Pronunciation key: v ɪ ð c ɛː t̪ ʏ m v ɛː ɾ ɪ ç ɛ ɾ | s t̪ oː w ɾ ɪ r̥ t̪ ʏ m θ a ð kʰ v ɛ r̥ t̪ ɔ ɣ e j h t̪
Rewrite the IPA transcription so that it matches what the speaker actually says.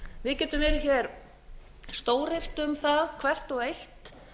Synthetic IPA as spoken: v ɪ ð c ɛː t̪ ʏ m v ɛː ɾ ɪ ç ɛ ɾ | s t̪ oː w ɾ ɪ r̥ t̪ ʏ m θ a ð kʰ v ɛ r̥ t̪ ɔ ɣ e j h t̪